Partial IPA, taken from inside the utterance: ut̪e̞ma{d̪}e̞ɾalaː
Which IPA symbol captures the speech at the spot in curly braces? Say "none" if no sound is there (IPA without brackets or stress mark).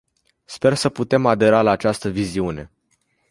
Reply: d̪